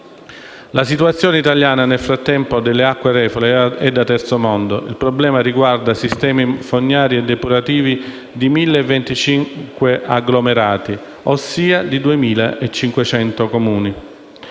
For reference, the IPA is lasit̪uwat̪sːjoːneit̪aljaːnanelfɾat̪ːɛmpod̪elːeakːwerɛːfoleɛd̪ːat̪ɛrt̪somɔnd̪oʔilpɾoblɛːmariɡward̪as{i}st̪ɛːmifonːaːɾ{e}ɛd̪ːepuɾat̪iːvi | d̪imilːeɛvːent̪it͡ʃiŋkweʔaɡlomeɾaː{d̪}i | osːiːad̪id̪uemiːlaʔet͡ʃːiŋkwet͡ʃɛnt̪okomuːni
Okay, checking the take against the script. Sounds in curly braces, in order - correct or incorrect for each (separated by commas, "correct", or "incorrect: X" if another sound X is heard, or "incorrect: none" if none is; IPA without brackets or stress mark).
correct, incorrect: i, incorrect: t̪